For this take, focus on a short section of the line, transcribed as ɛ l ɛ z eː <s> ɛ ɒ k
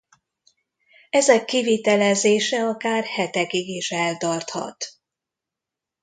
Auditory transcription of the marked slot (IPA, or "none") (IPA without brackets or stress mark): ʃ